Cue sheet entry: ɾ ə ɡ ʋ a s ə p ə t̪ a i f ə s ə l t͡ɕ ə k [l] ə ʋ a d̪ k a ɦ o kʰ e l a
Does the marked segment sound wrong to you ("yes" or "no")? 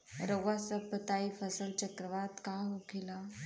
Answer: yes